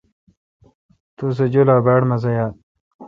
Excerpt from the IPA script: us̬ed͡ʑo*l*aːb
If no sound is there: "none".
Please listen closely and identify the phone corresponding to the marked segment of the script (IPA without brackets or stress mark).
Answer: l